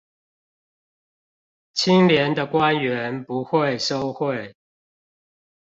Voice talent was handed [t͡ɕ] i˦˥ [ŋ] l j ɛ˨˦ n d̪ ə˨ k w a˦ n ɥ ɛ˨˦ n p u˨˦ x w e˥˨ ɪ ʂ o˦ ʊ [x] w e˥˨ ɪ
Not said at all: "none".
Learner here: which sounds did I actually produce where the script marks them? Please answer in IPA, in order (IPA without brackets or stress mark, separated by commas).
t͡ɕʰ, ŋ, x